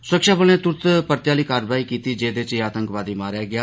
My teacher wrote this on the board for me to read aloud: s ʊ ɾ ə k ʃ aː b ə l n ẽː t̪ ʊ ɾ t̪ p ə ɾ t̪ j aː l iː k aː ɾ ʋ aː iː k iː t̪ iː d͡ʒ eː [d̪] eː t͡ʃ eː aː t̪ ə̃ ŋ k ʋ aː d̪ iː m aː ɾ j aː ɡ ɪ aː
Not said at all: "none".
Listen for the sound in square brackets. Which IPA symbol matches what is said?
d̪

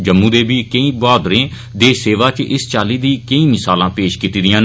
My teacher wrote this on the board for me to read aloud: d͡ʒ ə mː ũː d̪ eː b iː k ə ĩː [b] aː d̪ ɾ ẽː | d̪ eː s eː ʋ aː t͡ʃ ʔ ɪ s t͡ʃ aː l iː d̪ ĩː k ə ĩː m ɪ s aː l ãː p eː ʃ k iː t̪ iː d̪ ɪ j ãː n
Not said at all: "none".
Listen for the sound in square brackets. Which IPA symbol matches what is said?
b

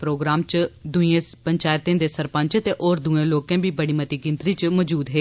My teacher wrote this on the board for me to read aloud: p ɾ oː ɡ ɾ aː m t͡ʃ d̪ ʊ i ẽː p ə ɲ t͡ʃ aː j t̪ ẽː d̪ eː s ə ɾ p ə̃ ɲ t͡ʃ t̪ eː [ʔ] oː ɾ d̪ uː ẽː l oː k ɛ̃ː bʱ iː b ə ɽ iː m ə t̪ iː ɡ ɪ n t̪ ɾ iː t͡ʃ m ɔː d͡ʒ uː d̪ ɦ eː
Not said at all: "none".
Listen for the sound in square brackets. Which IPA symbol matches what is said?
ʔ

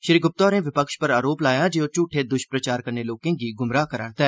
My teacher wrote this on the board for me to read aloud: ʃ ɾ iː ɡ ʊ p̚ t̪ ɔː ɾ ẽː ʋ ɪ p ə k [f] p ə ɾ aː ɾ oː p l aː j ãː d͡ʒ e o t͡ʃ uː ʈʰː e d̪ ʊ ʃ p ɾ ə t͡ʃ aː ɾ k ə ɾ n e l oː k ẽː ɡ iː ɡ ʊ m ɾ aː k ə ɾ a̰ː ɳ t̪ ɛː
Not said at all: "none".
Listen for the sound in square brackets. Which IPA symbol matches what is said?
ʃ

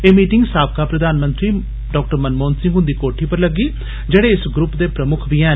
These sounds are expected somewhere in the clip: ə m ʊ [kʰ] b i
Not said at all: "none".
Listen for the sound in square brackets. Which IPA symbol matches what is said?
kʰ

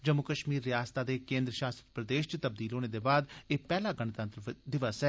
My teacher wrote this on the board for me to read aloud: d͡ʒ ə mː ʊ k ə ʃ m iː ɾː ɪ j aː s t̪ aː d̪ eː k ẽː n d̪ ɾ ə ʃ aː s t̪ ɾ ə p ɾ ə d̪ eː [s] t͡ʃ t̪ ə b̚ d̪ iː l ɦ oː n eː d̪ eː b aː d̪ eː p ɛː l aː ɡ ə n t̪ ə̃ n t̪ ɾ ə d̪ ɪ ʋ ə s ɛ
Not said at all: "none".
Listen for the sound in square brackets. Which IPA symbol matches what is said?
ʃ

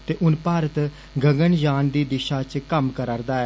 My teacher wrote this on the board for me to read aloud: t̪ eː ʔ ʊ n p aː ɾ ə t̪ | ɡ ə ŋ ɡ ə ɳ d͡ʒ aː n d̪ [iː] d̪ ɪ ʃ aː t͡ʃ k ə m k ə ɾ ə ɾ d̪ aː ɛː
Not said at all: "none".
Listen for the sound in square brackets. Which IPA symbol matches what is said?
iː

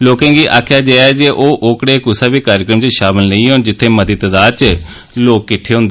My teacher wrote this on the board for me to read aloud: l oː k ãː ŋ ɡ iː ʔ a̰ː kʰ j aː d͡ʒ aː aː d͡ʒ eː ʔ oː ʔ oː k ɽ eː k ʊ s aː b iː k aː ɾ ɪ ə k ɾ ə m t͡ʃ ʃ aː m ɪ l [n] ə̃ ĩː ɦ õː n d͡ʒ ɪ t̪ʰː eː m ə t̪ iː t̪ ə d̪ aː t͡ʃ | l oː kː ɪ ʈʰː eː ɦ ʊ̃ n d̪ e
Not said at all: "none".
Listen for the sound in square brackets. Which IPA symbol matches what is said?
n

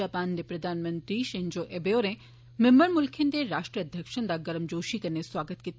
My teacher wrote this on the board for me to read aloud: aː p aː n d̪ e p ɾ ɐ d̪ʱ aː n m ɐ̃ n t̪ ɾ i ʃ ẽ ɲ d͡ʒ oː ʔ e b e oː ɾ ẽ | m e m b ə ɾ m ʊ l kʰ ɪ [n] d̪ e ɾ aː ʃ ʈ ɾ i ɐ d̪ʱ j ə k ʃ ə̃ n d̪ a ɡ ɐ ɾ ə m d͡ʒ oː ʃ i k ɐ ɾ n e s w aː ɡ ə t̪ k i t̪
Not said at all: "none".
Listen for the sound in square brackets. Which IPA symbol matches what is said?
n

